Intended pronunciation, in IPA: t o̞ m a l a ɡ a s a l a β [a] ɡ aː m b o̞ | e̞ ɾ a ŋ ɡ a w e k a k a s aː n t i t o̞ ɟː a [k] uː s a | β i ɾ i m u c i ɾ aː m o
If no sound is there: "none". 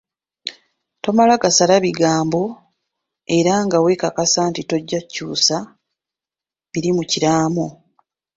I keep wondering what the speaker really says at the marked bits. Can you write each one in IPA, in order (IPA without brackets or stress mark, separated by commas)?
i, c